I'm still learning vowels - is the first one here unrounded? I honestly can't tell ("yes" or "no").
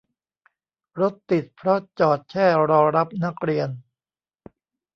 no